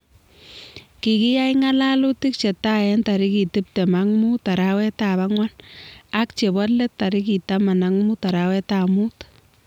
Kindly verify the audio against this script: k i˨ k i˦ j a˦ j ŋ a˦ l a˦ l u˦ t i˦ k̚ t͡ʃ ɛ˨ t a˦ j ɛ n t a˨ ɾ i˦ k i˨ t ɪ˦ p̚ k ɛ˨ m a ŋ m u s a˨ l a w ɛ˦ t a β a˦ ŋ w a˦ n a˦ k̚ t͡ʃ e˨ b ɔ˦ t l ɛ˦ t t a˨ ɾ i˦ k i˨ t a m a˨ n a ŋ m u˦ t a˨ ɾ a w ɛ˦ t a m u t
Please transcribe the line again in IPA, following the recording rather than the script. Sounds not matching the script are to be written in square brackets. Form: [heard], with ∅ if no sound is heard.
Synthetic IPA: k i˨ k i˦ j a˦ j ŋ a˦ l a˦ l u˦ t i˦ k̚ t͡ʃ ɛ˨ t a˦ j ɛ n t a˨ ɾ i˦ k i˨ t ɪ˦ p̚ [t] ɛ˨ m a ŋ m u [t] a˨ [ɾ] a w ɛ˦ t a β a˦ ŋ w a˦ n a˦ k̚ t͡ʃ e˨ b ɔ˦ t l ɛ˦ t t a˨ ɾ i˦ k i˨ t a m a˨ n a ŋ m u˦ t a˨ ɾ a w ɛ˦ t a m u t